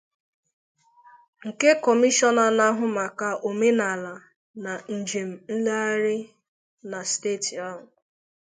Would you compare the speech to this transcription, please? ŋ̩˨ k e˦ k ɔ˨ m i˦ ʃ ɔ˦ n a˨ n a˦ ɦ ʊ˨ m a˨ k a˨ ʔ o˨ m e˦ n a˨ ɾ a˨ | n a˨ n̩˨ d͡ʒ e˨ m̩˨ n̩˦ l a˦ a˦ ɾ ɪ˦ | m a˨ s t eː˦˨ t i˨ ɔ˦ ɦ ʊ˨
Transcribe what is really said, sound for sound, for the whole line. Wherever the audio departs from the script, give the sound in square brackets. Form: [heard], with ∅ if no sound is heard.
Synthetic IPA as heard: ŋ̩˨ k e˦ k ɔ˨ m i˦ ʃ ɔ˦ n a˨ n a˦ ɦ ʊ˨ m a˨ k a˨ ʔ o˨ m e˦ n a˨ [l] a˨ | n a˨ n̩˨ d͡ʒ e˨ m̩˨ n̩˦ l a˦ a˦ ɾ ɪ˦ | [n] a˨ s t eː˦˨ t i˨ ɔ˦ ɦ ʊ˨

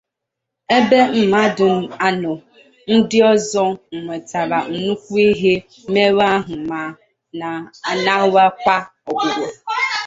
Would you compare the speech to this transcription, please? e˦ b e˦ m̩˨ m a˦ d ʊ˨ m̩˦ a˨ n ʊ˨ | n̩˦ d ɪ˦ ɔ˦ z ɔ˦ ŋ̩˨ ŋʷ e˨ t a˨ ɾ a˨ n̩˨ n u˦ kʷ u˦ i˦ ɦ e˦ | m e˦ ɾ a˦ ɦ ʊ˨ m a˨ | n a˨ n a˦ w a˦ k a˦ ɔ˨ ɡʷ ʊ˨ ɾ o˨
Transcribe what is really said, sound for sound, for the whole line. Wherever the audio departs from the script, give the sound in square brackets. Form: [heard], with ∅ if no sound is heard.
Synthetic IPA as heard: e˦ b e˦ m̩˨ m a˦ d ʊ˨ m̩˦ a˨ n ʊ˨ | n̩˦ d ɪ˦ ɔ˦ z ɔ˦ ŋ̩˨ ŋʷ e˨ t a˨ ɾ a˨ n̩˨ n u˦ kʷ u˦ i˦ ɦ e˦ | m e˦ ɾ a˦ ɦ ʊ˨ m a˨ | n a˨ n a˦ w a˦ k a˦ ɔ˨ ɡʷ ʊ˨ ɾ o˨

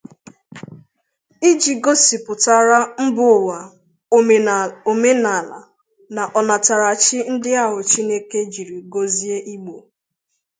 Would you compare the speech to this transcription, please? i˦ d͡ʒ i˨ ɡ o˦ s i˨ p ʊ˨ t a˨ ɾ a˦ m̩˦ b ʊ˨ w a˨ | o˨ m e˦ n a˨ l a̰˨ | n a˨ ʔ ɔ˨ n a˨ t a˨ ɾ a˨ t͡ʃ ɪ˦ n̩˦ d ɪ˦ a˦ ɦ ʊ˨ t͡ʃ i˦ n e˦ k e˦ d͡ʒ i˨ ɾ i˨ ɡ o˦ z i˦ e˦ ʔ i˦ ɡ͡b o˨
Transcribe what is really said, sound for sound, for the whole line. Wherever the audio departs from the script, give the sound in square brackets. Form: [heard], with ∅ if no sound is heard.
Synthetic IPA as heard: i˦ d͡ʒ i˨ ɡ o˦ s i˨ p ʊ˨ t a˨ ɾ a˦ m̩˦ b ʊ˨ w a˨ | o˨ m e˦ n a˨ l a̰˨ | n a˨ ʔ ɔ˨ n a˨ t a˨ ɾ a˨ t͡ʃ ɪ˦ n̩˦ d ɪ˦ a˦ ɦ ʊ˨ t͡ʃ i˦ n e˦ k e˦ d͡ʒ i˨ ɾ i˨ ɡ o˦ z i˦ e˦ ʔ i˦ ɡ͡b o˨

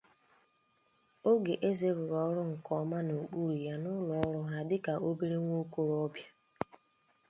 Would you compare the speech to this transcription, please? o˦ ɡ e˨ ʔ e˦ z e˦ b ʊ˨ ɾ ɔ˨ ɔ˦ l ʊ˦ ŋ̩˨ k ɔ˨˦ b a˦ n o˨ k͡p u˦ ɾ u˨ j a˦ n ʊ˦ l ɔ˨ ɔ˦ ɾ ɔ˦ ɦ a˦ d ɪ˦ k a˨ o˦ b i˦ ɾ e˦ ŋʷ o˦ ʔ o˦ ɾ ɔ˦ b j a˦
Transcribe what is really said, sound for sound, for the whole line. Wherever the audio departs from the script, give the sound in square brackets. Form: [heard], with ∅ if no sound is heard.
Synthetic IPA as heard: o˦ ɡ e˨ ʔ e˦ z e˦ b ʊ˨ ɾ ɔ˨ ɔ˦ [ɾ] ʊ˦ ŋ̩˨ k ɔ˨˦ [m] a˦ n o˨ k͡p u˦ ɾ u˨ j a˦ n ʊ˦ l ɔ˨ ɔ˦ ɾ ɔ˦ ɦ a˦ d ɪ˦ k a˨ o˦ b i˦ ɾ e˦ ŋʷ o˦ [k] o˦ ɾ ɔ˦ b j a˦

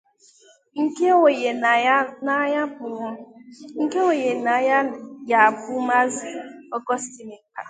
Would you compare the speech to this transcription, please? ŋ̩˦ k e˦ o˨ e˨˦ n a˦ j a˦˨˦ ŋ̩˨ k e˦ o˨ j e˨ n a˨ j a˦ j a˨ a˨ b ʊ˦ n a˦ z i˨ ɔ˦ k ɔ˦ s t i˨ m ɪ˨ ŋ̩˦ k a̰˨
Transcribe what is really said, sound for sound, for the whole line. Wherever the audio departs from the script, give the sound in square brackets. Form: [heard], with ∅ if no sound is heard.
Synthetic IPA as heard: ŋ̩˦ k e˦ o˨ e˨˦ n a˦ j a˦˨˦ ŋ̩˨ k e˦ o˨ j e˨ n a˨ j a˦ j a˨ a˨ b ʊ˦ [m] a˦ z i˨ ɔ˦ k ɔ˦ s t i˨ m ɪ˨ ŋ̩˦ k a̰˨

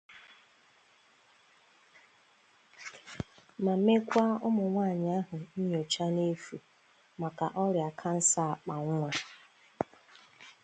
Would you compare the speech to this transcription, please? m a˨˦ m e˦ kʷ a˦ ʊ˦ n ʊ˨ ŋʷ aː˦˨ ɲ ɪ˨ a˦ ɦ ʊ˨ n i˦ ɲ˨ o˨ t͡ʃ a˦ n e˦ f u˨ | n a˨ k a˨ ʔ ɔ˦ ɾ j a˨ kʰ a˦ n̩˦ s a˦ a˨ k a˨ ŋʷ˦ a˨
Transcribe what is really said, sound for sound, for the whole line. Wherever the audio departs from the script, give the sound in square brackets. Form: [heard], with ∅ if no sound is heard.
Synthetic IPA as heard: m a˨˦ m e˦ kʷ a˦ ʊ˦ [m] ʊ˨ ŋʷ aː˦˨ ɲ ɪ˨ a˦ ɦ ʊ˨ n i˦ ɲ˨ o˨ t͡ʃ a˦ n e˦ f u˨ | [m] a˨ k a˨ ʔ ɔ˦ ɾ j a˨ kʰ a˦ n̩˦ s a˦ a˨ [k͡p] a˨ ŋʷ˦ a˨

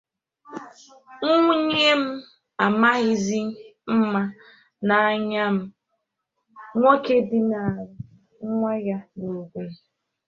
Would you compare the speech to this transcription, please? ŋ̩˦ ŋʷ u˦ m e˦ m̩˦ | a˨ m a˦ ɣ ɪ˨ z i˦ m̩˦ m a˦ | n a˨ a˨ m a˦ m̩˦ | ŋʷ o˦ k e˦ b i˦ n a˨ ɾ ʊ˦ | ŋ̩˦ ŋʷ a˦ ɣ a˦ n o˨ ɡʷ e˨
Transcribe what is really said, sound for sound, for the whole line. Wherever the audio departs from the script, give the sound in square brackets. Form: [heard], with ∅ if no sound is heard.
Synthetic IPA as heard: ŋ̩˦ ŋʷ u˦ [ɲ] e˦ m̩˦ | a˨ m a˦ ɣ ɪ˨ z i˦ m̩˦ m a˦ | n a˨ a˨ [ɲ] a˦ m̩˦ | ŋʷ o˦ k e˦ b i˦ n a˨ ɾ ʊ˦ | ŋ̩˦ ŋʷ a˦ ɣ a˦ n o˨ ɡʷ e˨

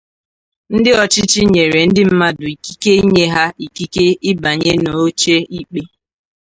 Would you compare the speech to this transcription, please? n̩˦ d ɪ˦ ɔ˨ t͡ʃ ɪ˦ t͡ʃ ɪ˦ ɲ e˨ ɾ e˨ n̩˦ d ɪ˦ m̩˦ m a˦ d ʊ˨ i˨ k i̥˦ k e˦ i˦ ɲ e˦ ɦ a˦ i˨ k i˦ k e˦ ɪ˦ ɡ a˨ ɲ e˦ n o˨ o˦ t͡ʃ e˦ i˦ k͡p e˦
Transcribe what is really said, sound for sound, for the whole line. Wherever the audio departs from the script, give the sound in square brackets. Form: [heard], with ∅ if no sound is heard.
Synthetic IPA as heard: n̩˦ d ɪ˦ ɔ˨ t͡ʃ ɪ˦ t͡ʃ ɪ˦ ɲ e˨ ɾ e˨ n̩˦ d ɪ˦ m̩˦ m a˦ d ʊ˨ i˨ k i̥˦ k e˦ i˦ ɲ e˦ ɦ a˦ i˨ k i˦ k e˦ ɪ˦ [b] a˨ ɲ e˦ n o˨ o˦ t͡ʃ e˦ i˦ k͡p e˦

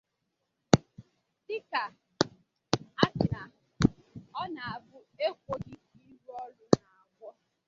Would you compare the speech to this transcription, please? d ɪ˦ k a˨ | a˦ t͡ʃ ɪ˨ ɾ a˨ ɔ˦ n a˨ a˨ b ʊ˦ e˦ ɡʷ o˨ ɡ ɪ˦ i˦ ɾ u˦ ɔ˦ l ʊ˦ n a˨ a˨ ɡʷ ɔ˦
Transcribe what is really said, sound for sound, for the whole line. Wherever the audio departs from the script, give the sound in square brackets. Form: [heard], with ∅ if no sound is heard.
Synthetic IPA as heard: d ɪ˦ k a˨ | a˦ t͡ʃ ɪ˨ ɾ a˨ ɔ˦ n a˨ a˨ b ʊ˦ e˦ [kʷ] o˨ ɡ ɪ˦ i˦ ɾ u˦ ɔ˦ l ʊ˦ n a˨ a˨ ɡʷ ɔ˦

